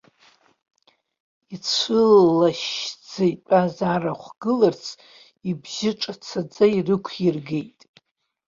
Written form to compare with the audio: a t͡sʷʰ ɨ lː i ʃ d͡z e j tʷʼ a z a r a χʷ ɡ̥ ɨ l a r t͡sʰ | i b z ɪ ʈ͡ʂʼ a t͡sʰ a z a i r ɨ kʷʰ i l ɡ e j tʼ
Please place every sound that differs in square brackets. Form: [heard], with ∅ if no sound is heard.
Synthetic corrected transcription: [i] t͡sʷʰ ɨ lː [a] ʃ d͡z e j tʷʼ a z a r a χʷ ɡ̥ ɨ l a r t͡sʰ | i b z ɪ ʈ͡ʂʼ a t͡sʰ a [d͡z] a i r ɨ kʷʰ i [r] ɡ e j tʼ